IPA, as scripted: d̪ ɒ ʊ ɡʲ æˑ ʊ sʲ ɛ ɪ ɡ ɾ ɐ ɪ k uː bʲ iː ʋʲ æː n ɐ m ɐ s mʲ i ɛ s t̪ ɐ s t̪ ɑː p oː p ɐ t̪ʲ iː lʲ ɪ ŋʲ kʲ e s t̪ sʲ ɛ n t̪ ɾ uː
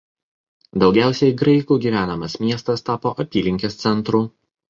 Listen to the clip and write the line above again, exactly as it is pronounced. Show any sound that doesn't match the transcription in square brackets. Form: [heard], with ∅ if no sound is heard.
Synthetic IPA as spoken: d̪ ɒ ʊ ɡʲ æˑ ʊ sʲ ɛ ɪ ɡ ɾ ɐ ɪ k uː [ɡʲ] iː ʋʲ æː n ɐ m ɐ s mʲ i ɛ s t̪ ɐ s t̪ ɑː p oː [ʔ] ɐ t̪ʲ iː lʲ ɪ ŋʲ kʲ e s t̪ sʲ ɛ n t̪ ɾ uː

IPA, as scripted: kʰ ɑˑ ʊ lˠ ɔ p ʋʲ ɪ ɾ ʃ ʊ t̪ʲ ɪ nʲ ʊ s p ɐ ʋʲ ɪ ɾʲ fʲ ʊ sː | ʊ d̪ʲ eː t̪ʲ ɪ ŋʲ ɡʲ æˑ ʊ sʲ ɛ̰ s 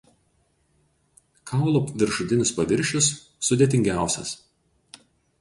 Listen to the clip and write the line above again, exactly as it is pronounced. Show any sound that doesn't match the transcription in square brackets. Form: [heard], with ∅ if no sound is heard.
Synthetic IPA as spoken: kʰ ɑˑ ʊ lˠ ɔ p ʋʲ ɪ ɾ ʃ ʊ t̪ʲ ɪ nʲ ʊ s p ɐ ʋʲ ɪ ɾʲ [ʃʲ] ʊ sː | ʊ d̪ʲ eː t̪ʲ ɪ ŋʲ ɡʲ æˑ ʊ sʲ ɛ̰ s

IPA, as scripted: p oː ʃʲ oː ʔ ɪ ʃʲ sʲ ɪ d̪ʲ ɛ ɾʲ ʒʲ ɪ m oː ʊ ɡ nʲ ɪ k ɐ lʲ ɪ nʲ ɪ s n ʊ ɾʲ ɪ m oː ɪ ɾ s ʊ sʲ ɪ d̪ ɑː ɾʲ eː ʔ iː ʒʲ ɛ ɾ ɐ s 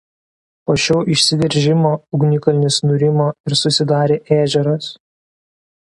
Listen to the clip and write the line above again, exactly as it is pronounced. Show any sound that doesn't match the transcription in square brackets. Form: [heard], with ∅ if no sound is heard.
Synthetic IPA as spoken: p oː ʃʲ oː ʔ ɪ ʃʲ sʲ ɪ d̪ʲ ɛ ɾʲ ʒʲ ɪ m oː ʊ ɡ nʲ ɪ k ɐ lʲ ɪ nʲ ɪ s n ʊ ɾʲ ɪ m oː ɪ ɾ s ʊ sʲ ɪ d̪ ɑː ɾʲ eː ʔ [æː] ʒʲ ɛ ɾ ɐ s

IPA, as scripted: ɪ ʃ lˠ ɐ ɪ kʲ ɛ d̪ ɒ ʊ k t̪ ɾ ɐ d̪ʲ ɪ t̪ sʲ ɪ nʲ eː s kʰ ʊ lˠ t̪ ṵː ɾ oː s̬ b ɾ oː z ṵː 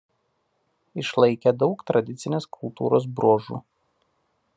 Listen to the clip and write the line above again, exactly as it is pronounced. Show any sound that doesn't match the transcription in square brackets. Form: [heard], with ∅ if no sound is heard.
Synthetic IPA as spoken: ɪ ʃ lˠ ɐ ɪ kʲ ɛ d̪ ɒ ʊ k t̪ ɾ ɐ d̪ʲ ɪ t̪ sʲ ɪ nʲ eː s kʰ ʊ lˠ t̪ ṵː ɾ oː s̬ b ɾ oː [ʒ] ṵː

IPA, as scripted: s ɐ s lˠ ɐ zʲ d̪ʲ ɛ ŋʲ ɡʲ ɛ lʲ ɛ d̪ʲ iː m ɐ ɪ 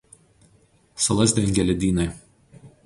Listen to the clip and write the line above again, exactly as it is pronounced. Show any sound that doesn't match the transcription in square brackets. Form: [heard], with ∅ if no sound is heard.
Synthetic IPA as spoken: s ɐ [∅] lˠ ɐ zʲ d̪ʲ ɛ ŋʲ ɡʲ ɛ lʲ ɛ d̪ʲ iː [n] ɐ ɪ

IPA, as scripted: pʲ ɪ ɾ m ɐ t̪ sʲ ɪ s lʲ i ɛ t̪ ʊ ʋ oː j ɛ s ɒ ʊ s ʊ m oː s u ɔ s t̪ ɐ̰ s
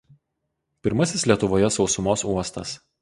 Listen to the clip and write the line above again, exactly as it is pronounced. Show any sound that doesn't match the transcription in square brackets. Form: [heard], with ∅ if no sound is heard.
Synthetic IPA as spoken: pʲ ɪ ɾ m ɐ [∅] sʲ ɪ s lʲ i ɛ t̪ ʊ ʋ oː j ɛ s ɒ ʊ s ʊ m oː s u ɔ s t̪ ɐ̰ s

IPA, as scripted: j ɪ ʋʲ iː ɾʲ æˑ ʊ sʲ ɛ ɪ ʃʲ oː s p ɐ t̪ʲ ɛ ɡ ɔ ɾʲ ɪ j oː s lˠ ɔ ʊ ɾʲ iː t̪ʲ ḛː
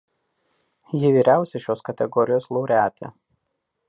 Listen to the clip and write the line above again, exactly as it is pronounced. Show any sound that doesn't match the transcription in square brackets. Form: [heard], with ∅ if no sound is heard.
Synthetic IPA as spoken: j ɪ ʋʲ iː ɾʲ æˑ ʊ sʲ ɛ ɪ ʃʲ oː s [k] ɐ t̪ʲ ɛ ɡ ɔ ɾʲ ɪ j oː s lˠ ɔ ʊ ɾʲ [æː] t̪ʲ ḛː

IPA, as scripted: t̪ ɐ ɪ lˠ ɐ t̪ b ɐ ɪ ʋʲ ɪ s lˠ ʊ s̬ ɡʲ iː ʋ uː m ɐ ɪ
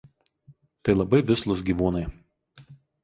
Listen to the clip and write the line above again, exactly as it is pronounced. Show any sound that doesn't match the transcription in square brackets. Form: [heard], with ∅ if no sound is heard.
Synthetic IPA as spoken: t̪ ɐ ɪ lˠ ɐ [∅] b ɐ ɪ ʋʲ ɪ s lˠ ʊ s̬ ɡʲ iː ʋ uː [n] ɐ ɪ

